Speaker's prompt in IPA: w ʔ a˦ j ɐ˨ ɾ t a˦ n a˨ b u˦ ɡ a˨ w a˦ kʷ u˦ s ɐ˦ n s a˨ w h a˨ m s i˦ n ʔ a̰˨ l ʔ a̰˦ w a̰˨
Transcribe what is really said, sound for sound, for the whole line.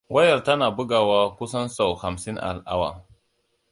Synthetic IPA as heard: w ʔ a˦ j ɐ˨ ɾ t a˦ n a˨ b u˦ ɡ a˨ w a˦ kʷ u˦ s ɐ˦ n s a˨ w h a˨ m s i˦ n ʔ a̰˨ l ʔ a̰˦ w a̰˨